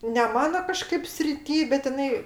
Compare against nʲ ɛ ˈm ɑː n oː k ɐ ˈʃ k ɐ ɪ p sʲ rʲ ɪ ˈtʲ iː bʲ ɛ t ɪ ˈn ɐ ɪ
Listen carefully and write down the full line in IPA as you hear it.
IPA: nʲ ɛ ˈm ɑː n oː k ɐ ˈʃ k ɐ ɪ p sʲ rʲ ɪ ˈtʲ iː bʲ ɛ t ɪ ˈn ɐ ɪ